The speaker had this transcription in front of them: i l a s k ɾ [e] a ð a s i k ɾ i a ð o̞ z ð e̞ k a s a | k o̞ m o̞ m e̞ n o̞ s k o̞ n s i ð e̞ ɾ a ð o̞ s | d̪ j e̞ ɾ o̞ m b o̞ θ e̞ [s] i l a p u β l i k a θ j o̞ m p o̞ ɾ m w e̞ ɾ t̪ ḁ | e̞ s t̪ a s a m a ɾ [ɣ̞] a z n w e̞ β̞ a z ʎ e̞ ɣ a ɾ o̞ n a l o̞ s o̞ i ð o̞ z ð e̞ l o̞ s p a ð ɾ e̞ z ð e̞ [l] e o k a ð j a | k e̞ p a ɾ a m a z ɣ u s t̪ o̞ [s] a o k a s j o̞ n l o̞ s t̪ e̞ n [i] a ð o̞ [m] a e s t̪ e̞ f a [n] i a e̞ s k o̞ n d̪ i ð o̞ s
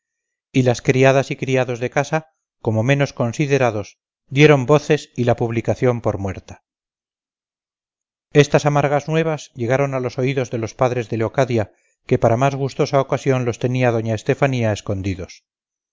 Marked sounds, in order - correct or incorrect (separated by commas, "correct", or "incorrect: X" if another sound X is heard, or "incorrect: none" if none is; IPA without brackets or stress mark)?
incorrect: i, correct, correct, correct, correct, correct, incorrect: ɲ, correct